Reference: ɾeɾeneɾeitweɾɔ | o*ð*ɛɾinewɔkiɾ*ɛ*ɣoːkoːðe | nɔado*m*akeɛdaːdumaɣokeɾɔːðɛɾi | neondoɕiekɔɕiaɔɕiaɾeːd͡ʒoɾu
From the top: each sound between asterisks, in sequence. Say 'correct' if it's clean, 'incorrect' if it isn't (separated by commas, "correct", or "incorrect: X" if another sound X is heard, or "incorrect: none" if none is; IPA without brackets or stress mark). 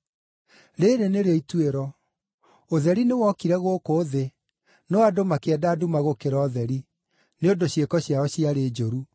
correct, correct, correct